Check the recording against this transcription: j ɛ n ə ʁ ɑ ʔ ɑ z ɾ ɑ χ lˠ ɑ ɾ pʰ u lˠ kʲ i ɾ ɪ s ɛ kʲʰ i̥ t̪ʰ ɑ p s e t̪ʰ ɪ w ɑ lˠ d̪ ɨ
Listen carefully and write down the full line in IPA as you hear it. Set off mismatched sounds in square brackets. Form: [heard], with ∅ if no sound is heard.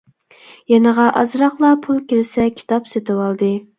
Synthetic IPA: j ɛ n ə ʁ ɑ ʔ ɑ z ɾ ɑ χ lˠ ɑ [∅] pʰ u lˠ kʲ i ɾ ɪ s ɛ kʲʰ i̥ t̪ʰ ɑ p s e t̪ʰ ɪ w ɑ lˠ d̪ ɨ